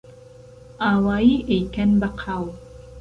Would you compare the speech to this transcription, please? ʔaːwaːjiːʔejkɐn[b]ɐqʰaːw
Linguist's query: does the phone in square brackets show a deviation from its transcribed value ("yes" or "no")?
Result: no